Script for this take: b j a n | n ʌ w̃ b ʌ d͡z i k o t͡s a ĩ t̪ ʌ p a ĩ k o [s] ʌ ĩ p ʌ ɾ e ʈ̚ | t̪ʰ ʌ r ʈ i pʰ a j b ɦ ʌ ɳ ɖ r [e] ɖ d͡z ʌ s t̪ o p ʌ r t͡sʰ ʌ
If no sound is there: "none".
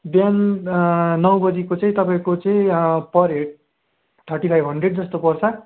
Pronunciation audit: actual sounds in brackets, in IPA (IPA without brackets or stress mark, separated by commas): t͡s, e